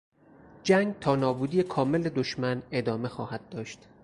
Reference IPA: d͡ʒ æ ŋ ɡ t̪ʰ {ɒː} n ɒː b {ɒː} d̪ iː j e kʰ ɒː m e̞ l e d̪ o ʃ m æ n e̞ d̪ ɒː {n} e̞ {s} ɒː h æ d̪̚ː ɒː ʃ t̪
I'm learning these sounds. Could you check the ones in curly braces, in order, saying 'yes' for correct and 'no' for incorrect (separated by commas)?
yes, no, no, no